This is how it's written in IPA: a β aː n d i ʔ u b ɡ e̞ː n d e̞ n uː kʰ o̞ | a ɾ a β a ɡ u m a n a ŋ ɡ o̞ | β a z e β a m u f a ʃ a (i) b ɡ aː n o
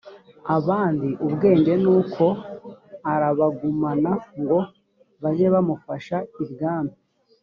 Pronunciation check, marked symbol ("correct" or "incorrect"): correct